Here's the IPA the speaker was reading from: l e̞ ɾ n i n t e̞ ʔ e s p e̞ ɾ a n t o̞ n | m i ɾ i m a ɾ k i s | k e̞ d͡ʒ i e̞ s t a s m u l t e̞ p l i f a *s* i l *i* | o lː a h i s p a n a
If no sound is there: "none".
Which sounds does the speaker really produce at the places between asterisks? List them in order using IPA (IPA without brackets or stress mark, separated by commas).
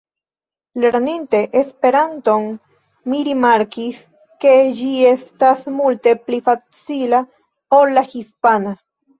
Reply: t͡s, a